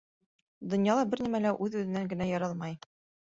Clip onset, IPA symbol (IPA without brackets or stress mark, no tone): d̪